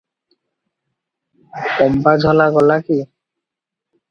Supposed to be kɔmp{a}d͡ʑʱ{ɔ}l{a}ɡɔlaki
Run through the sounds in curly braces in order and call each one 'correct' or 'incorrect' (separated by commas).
correct, correct, correct